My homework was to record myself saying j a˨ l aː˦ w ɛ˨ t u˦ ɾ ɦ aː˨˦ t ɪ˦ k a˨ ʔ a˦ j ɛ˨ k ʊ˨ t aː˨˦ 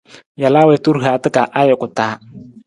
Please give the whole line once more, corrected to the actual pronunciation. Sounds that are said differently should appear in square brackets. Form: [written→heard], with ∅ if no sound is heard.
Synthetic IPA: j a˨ l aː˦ w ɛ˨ t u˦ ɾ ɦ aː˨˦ t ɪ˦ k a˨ ʔ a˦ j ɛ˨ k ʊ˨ t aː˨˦